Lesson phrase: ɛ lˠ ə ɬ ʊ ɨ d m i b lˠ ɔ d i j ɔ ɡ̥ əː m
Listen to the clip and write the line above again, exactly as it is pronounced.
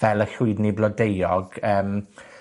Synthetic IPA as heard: ɛ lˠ ə ɬ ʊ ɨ d n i b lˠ ɔ d e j ɔ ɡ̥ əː m